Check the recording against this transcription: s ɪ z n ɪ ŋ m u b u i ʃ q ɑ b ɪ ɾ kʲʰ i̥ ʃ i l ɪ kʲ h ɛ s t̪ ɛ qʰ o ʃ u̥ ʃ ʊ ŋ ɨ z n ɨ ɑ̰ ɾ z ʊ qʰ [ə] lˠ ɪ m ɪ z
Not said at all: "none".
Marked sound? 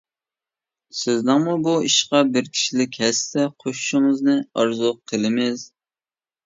ə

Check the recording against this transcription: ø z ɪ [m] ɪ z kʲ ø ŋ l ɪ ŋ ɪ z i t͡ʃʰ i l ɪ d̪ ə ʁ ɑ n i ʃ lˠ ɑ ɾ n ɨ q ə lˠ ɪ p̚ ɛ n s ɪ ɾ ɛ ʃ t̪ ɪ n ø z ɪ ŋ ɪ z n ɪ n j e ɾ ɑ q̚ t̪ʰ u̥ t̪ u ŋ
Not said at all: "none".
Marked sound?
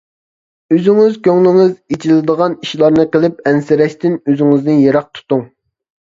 ŋ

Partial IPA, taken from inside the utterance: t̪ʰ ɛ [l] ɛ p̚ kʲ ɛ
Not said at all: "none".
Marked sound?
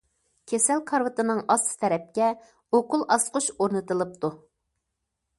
ɾ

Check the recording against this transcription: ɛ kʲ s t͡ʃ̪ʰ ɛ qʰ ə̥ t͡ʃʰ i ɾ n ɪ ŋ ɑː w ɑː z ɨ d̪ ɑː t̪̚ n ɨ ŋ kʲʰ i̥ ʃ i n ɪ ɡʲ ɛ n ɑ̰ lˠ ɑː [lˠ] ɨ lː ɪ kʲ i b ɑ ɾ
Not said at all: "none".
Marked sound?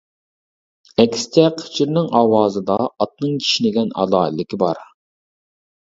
none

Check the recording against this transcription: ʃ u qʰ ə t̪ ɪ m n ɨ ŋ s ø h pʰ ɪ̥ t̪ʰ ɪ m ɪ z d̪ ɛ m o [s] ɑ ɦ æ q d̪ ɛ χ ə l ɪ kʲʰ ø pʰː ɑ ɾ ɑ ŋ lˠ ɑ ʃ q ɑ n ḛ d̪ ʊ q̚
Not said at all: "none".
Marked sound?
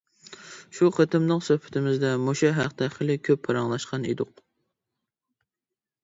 ʃ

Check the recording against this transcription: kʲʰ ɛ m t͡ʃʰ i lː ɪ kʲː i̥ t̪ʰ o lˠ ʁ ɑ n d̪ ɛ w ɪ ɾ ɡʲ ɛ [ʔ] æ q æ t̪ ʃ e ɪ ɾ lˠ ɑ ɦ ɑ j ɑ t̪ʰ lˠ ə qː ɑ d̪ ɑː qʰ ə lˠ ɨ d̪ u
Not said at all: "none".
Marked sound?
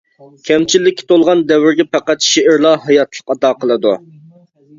p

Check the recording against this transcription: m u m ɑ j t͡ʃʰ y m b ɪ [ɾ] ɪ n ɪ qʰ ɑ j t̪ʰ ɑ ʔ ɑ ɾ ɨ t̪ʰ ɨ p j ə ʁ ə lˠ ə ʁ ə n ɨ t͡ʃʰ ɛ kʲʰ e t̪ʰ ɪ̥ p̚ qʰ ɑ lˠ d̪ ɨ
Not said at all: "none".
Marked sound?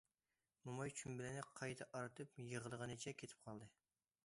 l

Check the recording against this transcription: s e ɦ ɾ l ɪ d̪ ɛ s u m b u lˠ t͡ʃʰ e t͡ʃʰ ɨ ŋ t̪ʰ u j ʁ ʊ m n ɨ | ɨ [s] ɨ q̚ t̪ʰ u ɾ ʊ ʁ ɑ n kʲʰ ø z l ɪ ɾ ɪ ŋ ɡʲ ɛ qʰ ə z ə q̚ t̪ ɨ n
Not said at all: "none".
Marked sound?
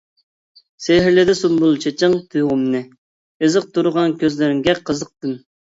z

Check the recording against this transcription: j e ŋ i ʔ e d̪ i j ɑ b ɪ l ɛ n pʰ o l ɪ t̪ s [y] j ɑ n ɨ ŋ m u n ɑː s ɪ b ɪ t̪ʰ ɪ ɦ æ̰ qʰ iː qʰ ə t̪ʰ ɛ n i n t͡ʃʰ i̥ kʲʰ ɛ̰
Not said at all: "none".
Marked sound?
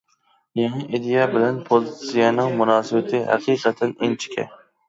i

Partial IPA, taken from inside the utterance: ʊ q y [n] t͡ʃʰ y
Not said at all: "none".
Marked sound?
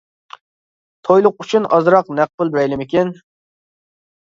none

